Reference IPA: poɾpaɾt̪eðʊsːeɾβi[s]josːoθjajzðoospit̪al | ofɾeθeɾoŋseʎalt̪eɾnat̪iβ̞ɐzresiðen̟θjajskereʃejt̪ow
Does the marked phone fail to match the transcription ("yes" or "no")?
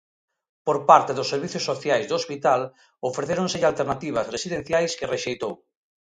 yes